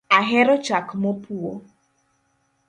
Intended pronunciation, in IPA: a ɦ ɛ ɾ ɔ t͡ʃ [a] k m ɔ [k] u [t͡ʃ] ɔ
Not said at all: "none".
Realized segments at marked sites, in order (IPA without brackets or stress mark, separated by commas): a, p, none